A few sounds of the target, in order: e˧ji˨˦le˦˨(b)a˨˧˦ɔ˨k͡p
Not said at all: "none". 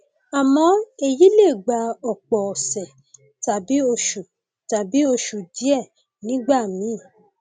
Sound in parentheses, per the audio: ɡ͡b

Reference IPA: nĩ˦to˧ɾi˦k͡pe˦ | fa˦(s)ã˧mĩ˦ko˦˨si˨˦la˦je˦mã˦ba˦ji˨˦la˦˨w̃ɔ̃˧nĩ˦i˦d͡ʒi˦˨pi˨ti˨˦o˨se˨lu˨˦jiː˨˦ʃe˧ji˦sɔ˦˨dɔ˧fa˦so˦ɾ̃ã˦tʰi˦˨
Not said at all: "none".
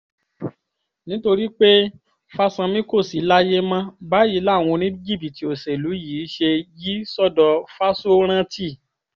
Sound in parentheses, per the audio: s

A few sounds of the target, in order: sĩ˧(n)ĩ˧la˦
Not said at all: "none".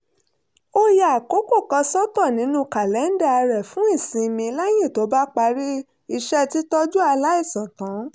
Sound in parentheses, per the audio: m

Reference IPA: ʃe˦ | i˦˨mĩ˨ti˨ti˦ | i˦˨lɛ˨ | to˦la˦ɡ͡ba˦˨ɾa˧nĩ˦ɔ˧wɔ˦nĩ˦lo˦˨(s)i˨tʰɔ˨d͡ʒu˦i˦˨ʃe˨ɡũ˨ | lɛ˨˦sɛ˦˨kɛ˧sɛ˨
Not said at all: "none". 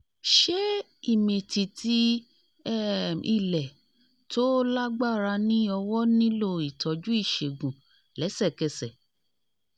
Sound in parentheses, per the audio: none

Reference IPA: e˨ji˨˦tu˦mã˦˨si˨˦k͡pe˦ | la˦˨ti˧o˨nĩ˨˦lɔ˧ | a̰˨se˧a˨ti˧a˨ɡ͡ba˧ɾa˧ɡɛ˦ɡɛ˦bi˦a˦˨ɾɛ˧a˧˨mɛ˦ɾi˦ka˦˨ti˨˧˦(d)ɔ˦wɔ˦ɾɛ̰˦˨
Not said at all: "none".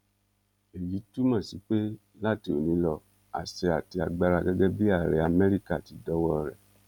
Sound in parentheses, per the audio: d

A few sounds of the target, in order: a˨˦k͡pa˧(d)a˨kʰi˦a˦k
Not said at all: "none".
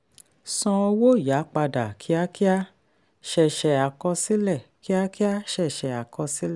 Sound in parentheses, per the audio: d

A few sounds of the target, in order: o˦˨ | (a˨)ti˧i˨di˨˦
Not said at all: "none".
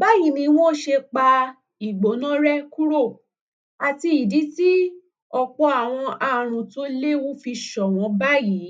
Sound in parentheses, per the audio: a˨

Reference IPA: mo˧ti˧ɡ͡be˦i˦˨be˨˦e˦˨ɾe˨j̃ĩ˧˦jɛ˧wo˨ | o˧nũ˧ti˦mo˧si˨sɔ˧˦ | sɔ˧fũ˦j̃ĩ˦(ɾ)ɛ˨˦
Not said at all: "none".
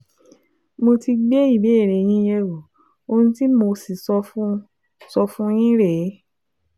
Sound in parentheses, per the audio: ɾ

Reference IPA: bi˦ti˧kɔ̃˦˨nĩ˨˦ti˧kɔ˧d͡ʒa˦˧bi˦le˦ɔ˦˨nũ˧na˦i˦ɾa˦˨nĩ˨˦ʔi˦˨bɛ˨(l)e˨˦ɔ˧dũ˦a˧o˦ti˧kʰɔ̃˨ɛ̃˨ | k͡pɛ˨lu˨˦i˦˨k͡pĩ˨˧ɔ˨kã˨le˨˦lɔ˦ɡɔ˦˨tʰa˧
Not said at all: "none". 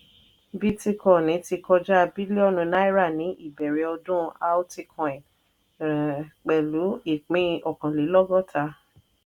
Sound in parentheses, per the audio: ɾ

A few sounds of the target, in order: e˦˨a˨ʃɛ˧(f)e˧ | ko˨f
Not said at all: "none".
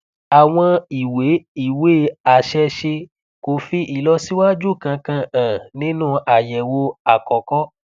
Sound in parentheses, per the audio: ʃ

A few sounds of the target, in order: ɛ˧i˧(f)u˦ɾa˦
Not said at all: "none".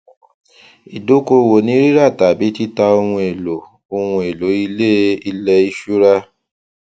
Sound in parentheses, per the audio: ʃ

